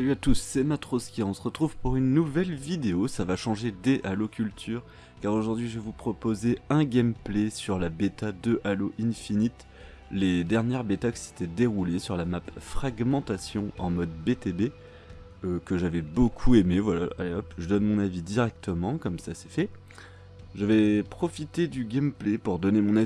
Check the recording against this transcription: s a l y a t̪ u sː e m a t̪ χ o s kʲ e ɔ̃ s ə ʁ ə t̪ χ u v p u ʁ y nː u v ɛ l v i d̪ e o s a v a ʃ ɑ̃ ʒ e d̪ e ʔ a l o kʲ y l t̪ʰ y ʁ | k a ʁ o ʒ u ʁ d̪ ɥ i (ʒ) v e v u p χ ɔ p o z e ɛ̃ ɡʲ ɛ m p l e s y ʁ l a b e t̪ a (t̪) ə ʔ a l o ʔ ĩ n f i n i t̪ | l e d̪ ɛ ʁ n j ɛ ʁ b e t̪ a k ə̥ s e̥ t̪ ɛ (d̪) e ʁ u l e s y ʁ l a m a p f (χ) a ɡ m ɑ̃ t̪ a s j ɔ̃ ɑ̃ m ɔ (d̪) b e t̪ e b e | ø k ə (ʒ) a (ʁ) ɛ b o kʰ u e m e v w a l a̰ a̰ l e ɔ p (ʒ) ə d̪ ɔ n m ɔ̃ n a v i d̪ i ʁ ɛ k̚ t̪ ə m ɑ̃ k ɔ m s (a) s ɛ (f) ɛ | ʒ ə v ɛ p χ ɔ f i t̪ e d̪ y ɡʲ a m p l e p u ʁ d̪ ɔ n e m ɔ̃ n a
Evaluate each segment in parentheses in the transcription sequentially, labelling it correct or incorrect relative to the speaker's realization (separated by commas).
correct, incorrect, correct, correct, correct, correct, incorrect, correct, correct, correct